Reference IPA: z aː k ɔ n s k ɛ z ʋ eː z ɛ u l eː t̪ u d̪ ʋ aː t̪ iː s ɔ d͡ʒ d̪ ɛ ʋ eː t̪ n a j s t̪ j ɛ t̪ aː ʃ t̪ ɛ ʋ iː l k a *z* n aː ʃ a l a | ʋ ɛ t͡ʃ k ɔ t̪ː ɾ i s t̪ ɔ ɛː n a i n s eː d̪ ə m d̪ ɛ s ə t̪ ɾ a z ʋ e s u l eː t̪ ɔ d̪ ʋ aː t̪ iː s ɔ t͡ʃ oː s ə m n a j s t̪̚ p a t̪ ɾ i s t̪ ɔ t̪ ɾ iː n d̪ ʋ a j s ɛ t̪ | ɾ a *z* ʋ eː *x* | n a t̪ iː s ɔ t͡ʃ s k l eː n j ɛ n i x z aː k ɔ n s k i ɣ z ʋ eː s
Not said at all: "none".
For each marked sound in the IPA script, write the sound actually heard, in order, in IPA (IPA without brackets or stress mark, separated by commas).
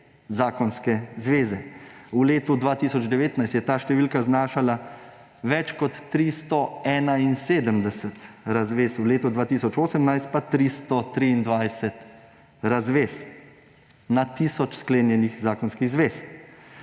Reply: z, z, s